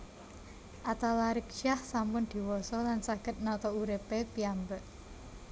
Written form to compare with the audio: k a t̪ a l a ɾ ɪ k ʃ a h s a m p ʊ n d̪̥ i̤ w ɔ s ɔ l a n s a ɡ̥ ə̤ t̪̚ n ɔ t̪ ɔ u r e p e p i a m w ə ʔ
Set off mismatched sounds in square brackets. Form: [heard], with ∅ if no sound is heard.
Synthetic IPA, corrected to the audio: [ʔ] a t̪ a l a ɾ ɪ k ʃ a h s a m p ʊ n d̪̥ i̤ w ɔ s ɔ l a n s a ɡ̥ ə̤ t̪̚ n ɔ t̪ ɔ u [ɾ] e p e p i a m [b] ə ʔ